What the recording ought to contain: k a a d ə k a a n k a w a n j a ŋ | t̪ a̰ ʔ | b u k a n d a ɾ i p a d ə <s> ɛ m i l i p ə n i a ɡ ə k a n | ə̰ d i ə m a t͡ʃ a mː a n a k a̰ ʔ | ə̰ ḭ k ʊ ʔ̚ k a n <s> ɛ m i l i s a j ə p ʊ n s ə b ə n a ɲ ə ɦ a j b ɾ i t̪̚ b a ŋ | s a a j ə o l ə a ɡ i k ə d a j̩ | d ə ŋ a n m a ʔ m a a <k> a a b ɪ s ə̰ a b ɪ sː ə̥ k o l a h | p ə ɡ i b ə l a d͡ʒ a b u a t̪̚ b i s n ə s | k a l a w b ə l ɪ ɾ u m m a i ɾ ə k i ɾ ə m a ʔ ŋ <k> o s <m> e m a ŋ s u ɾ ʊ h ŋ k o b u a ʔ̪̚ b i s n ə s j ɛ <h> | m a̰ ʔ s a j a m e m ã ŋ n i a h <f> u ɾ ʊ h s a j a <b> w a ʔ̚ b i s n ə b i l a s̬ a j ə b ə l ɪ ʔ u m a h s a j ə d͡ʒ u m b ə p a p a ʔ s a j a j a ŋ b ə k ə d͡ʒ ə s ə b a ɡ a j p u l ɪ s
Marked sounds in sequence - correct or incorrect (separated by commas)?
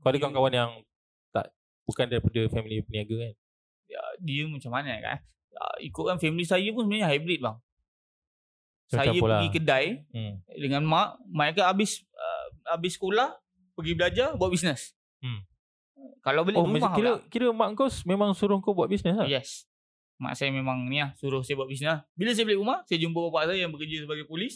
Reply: incorrect, incorrect, correct, correct, correct, incorrect, incorrect, correct